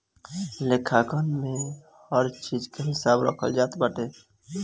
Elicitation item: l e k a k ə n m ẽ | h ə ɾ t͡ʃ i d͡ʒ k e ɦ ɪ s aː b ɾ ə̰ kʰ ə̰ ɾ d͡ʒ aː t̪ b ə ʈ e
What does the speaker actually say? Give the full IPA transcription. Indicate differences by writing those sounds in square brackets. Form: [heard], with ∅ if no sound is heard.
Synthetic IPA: l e [kʰ] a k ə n m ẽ | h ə ɾ t͡ʃ i d͡ʒ k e ɦ ɪ s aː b ɾ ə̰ kʰ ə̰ [l] d͡ʒ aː t̪ b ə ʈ e

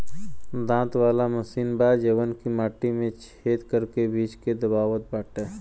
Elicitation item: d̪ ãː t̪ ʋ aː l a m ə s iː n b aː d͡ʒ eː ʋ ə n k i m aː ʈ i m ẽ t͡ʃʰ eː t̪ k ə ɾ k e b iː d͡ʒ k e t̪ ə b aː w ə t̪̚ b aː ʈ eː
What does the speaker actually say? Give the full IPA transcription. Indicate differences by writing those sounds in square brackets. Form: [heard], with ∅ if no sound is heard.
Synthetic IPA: d̪ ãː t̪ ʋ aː l a m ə s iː n b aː d͡ʒ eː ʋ ə n k i m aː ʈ i m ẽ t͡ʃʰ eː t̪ k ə ɾ k e b iː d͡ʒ k e [d̪] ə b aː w ə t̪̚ b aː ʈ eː

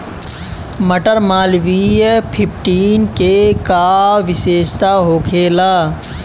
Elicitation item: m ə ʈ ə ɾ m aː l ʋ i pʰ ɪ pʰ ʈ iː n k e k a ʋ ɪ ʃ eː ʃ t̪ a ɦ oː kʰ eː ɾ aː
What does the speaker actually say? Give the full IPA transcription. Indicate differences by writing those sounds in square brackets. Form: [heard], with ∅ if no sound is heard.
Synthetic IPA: m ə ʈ ə ɾ m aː l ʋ i pʰ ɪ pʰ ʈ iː n k e k a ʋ ɪ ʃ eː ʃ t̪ a ɦ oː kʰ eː [l] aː

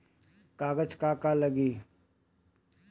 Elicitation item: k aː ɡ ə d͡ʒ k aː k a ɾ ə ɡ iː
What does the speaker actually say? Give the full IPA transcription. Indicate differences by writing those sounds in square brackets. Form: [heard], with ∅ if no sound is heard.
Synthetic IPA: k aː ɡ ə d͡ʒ k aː k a [l] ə ɡ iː

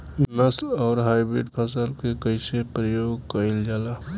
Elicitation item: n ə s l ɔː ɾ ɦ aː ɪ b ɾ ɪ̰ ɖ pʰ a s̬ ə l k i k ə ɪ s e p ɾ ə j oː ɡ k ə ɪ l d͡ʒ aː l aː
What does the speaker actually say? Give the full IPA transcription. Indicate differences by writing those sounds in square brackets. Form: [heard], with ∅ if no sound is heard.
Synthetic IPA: n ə s l ɔː ɾ ɦ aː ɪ b ɾ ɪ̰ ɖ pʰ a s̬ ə l k [e] k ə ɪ s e p ɾ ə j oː ɡ k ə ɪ l d͡ʒ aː l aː

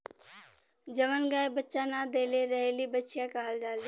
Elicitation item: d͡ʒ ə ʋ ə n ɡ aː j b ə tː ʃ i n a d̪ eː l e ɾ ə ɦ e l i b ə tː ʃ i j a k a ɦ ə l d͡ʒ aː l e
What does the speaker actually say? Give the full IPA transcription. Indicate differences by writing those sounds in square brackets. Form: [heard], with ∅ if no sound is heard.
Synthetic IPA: d͡ʒ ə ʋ ə n ɡ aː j b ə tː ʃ [a] n a d̪ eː l e ɾ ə ɦ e l i b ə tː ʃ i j a k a ɦ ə l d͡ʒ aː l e

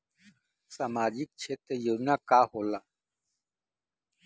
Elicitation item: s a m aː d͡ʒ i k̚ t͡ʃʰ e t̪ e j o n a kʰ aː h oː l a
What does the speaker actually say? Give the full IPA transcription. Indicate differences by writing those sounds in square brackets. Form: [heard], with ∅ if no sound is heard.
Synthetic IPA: s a m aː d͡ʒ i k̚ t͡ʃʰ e t̪ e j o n a [k] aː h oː l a

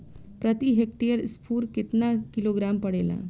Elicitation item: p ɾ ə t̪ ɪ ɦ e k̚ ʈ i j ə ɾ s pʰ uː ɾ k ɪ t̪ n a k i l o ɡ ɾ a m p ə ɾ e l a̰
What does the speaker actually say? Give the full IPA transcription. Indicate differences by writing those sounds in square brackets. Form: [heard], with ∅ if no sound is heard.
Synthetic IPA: p ɾ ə t̪ [i] ɦ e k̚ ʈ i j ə ɾ s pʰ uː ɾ k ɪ t̪ n a k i l o ɡ ɾ a m p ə [ɽ] e l a̰

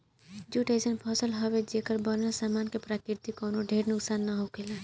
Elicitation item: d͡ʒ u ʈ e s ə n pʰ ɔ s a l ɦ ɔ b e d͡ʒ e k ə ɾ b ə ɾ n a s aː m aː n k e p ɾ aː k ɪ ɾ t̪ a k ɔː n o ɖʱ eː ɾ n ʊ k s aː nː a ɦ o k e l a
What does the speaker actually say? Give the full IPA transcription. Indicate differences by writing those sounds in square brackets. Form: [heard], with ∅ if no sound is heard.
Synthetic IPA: d͡ʒ u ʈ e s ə n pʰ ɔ s [ə] l ɦ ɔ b e d͡ʒ e k ə ɾ b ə ɾ n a s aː m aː n k e p ɾ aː k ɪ ɾ t̪ [i] k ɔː n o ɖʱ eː ɾ n ʊ k s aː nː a ɦ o k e l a

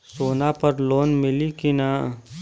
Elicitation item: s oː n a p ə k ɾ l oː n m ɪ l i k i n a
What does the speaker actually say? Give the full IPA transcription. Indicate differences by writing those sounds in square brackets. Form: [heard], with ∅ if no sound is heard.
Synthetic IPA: s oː n a p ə [∅] ɾ l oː n m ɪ l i k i n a

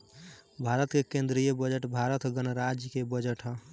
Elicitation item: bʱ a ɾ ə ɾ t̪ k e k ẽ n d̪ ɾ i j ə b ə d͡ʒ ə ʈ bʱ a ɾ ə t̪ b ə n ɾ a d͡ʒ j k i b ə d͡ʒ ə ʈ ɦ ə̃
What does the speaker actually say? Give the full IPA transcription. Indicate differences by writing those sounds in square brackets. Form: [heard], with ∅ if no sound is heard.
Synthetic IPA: bʱ a ɾ ə [∅] t̪ k e k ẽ n d̪ ɾ i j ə b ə d͡ʒ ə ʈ bʱ a ɾ ə t̪ [ɡ] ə n ɾ a d͡ʒ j k [e] b ə d͡ʒ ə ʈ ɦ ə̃

